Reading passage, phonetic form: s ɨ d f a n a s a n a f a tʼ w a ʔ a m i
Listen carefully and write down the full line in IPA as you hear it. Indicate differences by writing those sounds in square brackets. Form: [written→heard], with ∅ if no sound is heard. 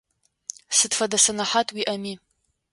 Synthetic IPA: s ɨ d f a [n→d] a s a n a [f→ħ] a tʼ w [a→i] ʔ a m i